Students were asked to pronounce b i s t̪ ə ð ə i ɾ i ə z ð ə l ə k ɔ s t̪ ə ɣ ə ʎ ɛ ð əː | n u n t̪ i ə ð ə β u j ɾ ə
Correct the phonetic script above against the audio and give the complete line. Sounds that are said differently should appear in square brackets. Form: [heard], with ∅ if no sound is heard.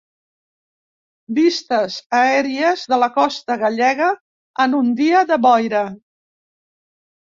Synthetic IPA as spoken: b i s t̪ ə [z] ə [ɛ] ɾ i ə z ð ə l ə k ɔ s t̪ ə ɣ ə ʎ ɛ [ɣ] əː | n u n [d̪] i ə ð ə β [ɔ] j ɾ ə